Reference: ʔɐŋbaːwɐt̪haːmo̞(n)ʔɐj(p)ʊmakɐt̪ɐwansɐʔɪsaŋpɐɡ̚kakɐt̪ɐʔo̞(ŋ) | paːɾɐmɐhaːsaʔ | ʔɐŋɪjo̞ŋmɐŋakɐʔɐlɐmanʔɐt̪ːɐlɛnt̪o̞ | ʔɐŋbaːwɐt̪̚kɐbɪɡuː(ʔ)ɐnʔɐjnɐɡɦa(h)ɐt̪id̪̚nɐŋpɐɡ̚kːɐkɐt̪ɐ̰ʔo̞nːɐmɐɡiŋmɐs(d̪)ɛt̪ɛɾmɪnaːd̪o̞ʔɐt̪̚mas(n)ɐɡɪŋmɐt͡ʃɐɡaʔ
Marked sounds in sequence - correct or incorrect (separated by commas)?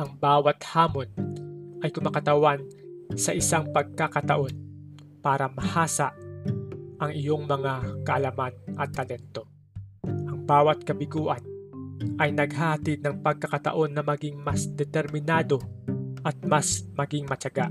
correct, incorrect, incorrect, correct, correct, correct, incorrect